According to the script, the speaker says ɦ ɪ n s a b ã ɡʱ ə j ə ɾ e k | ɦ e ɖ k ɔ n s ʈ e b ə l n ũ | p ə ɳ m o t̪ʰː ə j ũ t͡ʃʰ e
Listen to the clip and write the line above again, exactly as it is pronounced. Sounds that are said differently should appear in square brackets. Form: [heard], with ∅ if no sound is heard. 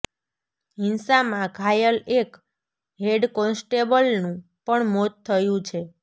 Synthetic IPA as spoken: ɦ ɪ n s a [m] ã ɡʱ [a] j ə [l] e k | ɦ e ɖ k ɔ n s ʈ e b ə l n ũ | p ə ɳ m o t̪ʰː ə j ũ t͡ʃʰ e

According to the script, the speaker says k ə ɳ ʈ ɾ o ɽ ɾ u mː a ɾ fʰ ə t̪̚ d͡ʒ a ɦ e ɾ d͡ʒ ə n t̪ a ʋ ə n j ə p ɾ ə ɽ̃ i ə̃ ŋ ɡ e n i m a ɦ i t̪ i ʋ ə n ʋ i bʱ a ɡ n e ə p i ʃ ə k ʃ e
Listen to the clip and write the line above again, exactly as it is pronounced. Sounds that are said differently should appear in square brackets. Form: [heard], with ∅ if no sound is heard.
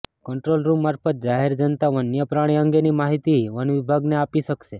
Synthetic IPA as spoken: k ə ɳ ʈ ɾ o [l] ɾ u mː a ɾ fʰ ə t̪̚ d͡ʒ a ɦ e ɾ d͡ʒ ə n t̪ a ʋ ə n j ə p ɾ [a] ɽ̃ i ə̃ ŋ ɡ e n i m a ɦ i t̪ i ʋ ə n ʋ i bʱ a ɡ n e [a] p i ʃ ə k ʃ e

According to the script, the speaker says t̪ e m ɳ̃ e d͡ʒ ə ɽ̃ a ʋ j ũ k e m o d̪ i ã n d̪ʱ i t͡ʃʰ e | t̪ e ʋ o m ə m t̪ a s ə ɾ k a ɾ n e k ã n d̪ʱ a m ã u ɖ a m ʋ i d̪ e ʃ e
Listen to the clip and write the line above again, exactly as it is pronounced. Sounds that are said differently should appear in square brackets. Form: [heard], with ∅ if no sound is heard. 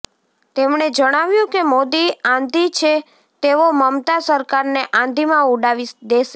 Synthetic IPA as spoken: t̪ e m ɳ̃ e d͡ʒ ə ɽ̃ a ʋ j ũ k e m o d̪ i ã n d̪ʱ i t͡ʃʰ e | t̪ e ʋ o m ə m t̪ a s ə ɾ k a ɾ n e [ʔ] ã n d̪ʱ [i] m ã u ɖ a [∅] ʋ i d̪ e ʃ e

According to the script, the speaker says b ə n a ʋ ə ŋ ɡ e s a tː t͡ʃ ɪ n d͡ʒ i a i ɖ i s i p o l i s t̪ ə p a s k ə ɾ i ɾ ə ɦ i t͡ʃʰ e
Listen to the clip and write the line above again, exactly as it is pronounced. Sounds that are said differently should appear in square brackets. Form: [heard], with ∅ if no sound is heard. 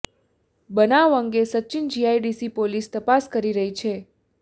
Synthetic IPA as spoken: b ə n a ʋ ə ŋ ɡ e s [ə] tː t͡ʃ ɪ n d͡ʒ i a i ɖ i s i p o l i s t̪ ə p a s k ə ɾ i ɾ ə ɦ i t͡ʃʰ e

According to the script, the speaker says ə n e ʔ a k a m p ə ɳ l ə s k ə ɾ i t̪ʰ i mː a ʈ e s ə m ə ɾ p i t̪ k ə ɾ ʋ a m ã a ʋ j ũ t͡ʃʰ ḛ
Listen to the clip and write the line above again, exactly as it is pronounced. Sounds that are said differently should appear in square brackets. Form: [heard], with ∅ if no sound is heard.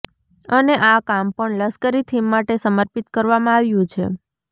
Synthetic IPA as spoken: ə n e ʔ a k a m p ə ɳ l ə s k ə ɾ i t̪ʰ i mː a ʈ e s ə m ə ɾ p i t̪ k ə ɾ ʋ a m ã a ʋ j ũ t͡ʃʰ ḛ

